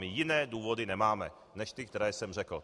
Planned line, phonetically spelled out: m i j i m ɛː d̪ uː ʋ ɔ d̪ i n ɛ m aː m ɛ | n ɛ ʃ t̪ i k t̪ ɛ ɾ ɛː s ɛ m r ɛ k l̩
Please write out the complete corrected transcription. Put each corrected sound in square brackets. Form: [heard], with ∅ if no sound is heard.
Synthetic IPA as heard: m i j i [n] ɛː d̪ uː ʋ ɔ d̪ i n ɛ m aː m ɛ | n ɛ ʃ t̪ i k t̪ ɛ ɾ ɛː s ɛ m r ɛ k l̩